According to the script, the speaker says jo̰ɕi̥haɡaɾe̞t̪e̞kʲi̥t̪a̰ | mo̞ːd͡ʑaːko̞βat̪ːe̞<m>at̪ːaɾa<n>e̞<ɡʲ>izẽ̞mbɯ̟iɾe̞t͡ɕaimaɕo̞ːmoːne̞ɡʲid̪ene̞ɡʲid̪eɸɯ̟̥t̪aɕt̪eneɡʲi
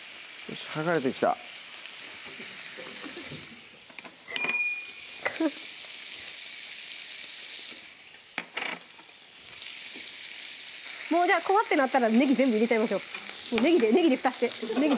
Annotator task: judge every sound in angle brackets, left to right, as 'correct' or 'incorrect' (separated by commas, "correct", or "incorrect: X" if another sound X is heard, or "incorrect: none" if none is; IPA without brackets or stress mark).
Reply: incorrect: n, correct, correct